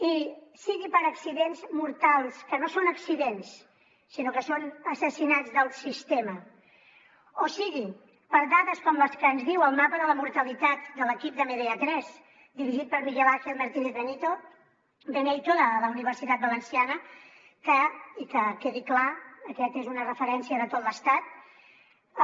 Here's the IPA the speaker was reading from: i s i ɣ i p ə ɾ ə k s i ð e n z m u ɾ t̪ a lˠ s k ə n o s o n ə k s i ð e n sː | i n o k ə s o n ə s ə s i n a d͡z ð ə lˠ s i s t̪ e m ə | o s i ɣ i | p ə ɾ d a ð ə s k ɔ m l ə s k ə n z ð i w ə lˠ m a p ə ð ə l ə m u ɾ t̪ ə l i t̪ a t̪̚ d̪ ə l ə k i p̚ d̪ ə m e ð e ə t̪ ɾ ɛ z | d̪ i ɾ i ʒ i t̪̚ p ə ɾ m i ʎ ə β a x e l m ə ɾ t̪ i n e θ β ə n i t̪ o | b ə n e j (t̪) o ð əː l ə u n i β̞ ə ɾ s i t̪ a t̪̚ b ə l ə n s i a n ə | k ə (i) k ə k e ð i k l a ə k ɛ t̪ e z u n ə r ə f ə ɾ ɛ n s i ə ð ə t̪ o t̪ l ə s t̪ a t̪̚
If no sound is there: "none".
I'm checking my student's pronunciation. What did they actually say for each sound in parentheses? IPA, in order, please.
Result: t̪, i

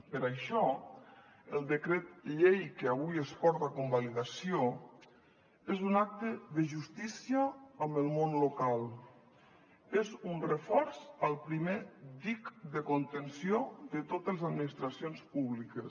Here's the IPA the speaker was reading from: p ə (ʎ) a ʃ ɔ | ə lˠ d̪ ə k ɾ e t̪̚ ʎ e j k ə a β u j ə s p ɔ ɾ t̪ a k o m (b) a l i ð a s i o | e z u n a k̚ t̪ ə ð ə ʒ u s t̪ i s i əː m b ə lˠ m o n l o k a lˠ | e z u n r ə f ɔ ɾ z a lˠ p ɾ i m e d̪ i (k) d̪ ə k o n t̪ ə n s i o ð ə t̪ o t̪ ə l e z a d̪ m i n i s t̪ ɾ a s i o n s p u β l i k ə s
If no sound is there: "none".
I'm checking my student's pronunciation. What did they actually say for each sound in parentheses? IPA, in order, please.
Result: ɾ, b, k

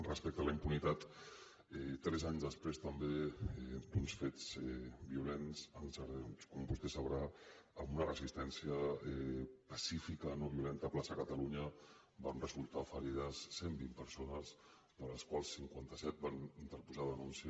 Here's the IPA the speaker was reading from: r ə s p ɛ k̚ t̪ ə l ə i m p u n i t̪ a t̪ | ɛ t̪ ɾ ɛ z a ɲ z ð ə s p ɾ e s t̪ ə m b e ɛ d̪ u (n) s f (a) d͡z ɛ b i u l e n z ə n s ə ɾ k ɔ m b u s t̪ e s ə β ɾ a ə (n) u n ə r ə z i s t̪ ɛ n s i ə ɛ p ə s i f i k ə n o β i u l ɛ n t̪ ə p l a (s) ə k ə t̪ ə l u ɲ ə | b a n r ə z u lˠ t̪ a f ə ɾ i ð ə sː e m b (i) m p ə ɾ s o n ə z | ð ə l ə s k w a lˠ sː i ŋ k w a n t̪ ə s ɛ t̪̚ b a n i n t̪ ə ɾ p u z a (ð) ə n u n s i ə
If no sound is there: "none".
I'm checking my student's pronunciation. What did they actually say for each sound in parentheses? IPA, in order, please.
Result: n, e, m, s, i, ð

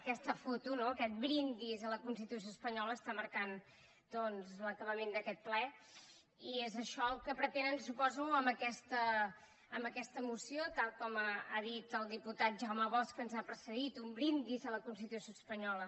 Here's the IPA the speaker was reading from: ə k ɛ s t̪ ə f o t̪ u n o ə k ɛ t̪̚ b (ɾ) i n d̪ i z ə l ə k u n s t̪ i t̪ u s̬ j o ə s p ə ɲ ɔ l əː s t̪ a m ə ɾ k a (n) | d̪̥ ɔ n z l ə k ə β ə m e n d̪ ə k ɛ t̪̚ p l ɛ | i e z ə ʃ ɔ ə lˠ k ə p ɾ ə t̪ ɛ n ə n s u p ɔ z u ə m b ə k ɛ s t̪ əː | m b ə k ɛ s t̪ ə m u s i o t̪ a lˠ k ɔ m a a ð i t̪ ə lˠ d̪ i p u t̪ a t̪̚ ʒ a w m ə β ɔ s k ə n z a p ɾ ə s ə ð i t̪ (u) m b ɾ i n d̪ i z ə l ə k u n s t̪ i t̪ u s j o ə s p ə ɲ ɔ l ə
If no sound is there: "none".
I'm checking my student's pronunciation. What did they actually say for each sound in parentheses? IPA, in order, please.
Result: ɾ, n, u

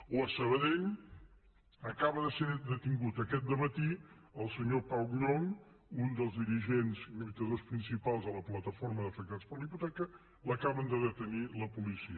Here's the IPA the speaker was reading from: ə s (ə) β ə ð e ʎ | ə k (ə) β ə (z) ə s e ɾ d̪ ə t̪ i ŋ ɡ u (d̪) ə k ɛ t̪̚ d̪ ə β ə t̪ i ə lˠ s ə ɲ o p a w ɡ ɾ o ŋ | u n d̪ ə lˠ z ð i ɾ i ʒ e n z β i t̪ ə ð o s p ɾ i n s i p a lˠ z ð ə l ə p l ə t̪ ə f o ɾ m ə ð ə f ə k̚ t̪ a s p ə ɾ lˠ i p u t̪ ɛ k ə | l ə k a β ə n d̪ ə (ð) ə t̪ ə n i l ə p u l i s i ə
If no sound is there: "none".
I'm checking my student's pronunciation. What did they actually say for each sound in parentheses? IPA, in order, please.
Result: ə, a, ð, t̪, ð

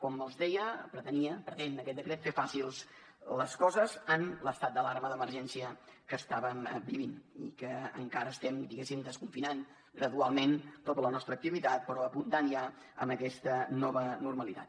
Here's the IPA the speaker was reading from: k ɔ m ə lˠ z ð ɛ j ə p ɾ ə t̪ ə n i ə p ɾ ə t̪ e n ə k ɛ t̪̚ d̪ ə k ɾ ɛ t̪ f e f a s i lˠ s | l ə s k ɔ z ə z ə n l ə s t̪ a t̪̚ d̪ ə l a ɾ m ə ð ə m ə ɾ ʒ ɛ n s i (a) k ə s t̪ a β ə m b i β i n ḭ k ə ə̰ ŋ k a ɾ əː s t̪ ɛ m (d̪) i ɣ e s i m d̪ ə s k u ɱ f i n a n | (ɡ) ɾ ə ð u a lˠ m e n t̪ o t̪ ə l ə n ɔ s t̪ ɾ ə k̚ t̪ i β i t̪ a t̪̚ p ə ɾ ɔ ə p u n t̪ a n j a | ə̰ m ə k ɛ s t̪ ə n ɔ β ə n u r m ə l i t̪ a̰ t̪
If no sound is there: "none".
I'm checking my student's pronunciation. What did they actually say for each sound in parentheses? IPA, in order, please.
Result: ə, d̪, ɡ

